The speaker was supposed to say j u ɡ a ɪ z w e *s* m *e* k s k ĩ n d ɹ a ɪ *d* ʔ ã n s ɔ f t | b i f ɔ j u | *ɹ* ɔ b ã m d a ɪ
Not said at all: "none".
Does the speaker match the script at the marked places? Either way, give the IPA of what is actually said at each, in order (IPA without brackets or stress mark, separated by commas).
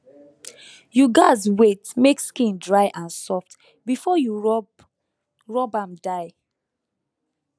t, e, none, ɹ